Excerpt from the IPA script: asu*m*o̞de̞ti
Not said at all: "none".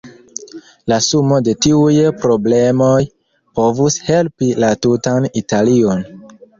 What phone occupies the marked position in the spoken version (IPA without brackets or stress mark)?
m